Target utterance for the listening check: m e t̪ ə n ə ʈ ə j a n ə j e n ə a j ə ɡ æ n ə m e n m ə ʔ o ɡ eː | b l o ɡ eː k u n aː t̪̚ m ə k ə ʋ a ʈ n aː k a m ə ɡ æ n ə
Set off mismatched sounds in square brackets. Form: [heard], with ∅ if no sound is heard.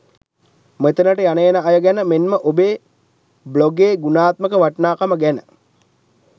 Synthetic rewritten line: m e t̪ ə n ə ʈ ə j a n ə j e n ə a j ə ɡ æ n ə m e n m ə ʔ o [b] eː | b l o ɡ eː [ɡ] u n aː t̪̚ m ə k ə ʋ a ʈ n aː k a m ə ɡ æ n ə